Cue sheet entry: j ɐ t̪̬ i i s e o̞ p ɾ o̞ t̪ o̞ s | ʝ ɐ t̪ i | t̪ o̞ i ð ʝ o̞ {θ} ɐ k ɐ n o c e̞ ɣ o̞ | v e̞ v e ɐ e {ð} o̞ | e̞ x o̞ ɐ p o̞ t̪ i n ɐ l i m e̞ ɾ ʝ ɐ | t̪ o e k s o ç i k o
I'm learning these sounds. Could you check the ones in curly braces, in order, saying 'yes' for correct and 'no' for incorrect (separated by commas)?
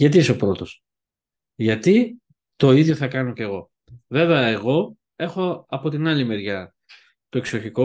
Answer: yes, no